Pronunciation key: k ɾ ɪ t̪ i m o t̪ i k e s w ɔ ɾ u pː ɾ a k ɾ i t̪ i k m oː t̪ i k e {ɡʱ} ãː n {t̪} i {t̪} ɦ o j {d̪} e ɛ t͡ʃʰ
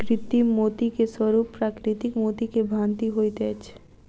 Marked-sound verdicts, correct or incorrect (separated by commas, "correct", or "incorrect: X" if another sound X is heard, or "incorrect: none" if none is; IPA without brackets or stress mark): incorrect: bʱ, correct, incorrect: none, incorrect: t̪